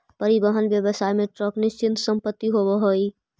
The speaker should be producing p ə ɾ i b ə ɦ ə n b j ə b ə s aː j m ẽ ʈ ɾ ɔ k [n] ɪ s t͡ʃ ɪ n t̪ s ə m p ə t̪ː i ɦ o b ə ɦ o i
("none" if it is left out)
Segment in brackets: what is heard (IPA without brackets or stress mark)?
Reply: n